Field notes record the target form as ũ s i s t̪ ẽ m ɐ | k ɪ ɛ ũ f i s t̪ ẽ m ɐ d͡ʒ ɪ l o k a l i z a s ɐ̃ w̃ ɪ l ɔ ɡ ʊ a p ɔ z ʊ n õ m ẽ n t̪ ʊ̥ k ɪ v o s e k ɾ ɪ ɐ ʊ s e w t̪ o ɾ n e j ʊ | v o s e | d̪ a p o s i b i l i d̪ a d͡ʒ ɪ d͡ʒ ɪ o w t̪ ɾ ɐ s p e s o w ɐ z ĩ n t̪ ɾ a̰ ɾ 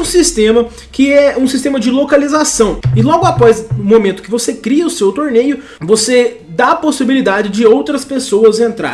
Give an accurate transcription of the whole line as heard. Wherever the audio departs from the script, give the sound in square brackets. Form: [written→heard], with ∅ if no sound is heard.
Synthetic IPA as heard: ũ s i s t̪ ẽ m ɐ | k ɪ ɛ ũ [f→s] i s t̪ ẽ m ɐ d͡ʒ ɪ l o k a l i z a s ɐ̃ w̃ ɪ l ɔ ɡ ʊ a p ɔ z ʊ [n→m] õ m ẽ n t̪ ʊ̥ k ɪ v o s e k ɾ [ɪ→i] ɐ ʊ s e w t̪ o ɾ n e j ʊ | v o s e | d̪ a p o s i b i l i d̪ a d͡ʒ ɪ d͡ʒ ɪ o w t̪ ɾ ɐ s p e s o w ɐ z [ĩ→ẽ] n t̪ ɾ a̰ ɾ